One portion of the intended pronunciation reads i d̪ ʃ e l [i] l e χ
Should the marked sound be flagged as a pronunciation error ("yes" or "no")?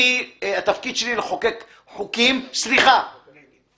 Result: no